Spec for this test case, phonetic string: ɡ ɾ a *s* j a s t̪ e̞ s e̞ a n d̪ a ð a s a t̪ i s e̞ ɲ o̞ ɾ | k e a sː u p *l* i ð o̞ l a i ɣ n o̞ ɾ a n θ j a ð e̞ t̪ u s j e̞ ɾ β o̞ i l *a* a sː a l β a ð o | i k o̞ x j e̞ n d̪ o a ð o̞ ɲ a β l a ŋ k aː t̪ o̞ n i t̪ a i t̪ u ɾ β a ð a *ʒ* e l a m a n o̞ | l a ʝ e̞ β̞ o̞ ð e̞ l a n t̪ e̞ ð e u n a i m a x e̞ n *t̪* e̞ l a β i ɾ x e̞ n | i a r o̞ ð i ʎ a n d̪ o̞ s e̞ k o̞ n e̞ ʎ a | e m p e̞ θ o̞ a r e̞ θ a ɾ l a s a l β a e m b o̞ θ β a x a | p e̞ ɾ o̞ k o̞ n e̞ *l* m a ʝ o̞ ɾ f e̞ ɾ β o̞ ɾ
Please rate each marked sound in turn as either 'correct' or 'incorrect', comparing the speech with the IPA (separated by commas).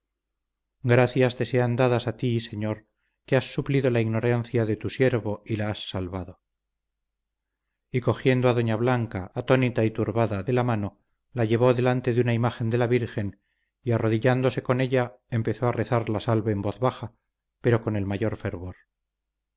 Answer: incorrect, correct, correct, incorrect, incorrect, correct